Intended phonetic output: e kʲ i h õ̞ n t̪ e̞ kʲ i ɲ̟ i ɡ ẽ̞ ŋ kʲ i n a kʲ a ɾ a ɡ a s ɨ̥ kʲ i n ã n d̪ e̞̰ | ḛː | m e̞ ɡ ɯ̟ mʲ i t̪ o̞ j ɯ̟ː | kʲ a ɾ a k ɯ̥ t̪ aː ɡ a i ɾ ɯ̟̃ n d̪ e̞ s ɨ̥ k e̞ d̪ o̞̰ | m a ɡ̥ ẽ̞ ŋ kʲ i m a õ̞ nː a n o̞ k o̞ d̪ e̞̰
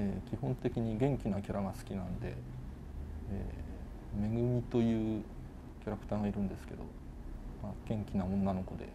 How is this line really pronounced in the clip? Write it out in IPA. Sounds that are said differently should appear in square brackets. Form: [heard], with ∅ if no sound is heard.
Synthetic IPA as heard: e kʲ i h õ̞ n t̪ e̞ kʲ i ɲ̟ i ɡ ẽ̞ ŋ kʲ i n a kʲ a ɾ a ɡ a s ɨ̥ kʲ i n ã n d̪ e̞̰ | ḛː | m e̞ ɡ ɯ̟ mʲ i t̪ o̞ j ɯ̟ː | kʲ a ɾ a k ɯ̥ t̪ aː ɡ a i ɾ ɯ̟̃ n d̪ e̞ s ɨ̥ k e̞ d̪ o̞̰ | m a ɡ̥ ẽ̞ ŋ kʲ i [n] a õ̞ nː a n o̞ k o̞ d̪ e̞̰